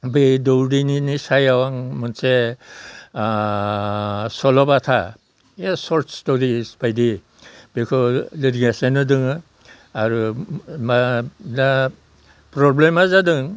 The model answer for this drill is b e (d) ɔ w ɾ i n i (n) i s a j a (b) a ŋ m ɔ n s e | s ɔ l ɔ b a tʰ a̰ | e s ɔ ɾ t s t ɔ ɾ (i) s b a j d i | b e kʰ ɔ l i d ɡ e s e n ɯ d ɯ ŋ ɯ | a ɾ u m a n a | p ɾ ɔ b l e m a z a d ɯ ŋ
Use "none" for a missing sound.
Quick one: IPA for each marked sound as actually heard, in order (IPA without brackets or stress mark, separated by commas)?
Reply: d, n, w, i